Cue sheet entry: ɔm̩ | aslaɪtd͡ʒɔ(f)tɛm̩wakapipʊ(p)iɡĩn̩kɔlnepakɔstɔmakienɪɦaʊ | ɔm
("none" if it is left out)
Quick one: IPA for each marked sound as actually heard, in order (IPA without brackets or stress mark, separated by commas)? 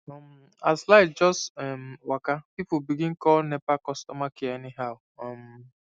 s, b